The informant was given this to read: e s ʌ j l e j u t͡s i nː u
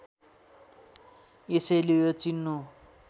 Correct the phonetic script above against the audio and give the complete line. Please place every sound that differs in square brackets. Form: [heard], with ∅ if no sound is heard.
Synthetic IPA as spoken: e s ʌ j l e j [o] t͡s i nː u